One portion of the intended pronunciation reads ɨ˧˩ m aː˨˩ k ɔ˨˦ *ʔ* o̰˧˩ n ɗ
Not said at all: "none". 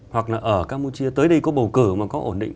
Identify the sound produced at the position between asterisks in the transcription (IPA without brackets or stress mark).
ʔ